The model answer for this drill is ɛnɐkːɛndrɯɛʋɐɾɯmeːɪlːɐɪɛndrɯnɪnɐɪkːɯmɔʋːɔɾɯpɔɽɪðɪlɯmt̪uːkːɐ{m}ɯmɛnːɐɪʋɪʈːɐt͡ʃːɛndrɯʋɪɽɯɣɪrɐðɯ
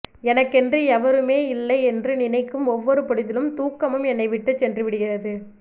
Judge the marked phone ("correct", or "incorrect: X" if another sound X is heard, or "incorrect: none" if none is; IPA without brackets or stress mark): correct